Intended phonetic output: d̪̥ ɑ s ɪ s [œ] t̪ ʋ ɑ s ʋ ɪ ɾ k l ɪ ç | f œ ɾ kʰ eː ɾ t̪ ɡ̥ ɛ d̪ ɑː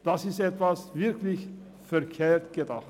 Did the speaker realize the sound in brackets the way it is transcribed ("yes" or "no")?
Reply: no